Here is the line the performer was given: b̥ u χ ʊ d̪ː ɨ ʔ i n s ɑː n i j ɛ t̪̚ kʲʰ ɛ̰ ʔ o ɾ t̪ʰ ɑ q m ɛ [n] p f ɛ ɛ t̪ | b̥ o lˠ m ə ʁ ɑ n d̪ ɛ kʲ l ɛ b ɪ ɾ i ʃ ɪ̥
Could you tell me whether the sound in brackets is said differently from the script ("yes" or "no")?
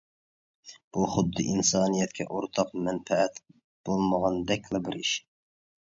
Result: no